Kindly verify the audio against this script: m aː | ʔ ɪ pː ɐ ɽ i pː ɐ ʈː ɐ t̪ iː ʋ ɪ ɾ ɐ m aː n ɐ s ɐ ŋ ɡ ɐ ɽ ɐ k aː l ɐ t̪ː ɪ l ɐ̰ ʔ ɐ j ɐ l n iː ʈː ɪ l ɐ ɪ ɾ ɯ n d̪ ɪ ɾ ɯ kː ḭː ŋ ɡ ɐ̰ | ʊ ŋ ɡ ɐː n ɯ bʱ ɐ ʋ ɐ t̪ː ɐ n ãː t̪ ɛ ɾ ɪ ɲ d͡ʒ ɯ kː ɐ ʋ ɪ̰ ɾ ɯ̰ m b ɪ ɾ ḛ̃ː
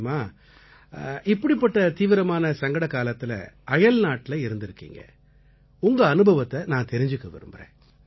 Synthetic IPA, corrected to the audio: m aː | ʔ ɪ pː ɐ ɽ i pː ɐ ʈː ɐ t̪ iː ʋ ɪ ɾ ɐ m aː n ɐ s ɐ ŋ ɡ ɐ ɽ ɐ k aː l ɐ t̪ː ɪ l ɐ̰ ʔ ɐ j ɐ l n aː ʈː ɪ l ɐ ɪ ɾ ɯ n d̪ ɪ ɾ ɯ kː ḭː ŋ ɡ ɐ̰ | ʊ ŋ ɡ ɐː n ɯ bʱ ɐ ʋ ɐ t̪ː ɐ n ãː t̪ ɛ ɾ ɪ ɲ d͡ʒ ɯ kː ɐ ʋ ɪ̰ ɾ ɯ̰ m b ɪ ɾ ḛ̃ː